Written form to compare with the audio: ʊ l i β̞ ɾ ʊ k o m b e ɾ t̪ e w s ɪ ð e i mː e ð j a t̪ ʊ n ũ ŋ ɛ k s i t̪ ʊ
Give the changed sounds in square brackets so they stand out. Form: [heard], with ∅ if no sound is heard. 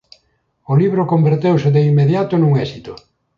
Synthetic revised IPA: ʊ l i β̞ ɾ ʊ k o m b e ɾ t̪ e w s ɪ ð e i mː e ð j a t̪ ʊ n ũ ŋ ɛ [∅] s i t̪ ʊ